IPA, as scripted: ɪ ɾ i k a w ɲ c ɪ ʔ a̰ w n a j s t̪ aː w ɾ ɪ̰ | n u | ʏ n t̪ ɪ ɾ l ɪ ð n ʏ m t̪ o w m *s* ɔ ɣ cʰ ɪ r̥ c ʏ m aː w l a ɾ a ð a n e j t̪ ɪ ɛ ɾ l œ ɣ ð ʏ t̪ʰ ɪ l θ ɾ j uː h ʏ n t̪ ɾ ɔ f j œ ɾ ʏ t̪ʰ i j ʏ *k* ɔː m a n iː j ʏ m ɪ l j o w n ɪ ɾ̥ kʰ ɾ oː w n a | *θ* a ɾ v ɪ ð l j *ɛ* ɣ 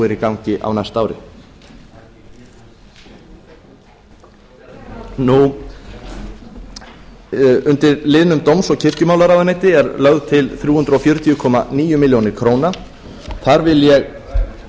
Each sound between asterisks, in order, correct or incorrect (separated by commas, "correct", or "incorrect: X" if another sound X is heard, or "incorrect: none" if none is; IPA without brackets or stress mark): correct, incorrect: kʰ, correct, correct